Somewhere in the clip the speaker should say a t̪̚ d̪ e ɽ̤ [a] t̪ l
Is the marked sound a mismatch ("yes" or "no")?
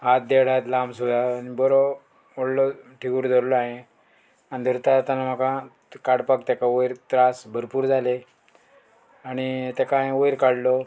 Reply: no